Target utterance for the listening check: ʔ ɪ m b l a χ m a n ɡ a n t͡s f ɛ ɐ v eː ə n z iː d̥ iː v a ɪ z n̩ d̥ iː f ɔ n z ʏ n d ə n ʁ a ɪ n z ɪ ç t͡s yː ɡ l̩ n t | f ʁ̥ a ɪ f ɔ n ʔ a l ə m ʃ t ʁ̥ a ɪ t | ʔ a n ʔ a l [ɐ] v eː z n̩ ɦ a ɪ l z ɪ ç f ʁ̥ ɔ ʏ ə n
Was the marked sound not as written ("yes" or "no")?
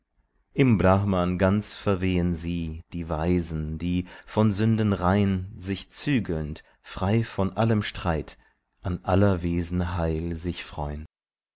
no